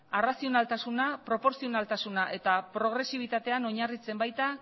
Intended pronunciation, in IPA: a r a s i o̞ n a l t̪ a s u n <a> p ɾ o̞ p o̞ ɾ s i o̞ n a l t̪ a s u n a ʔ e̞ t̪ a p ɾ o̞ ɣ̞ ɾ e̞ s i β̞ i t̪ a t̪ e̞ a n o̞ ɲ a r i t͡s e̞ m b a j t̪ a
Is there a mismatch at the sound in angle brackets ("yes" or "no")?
no